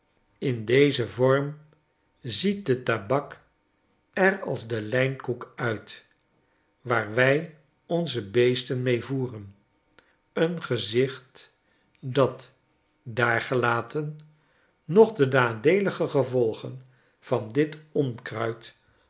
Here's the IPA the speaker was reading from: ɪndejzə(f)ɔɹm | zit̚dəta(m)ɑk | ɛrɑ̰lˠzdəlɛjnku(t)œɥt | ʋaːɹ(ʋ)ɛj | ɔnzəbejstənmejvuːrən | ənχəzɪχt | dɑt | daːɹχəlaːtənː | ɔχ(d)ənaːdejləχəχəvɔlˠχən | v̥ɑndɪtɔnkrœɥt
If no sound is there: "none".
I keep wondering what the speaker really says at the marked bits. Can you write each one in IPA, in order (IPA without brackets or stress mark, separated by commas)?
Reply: v, b, k, ʋ, d